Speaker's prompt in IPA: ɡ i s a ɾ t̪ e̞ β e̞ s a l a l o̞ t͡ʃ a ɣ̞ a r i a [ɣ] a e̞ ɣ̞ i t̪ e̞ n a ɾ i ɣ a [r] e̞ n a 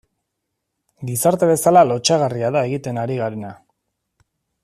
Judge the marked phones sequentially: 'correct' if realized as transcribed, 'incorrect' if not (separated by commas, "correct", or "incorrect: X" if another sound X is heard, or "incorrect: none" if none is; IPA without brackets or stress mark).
incorrect: ð, incorrect: ɾ